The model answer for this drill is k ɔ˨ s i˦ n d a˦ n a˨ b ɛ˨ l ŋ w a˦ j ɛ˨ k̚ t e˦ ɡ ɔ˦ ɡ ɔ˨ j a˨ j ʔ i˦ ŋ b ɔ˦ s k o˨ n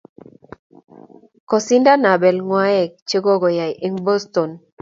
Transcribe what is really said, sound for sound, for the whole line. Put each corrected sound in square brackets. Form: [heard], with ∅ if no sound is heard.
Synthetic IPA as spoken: k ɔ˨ s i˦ n d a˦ n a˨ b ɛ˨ l ŋ w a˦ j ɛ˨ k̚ [t͡ʃ] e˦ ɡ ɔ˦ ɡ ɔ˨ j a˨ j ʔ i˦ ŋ b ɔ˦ s [t] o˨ n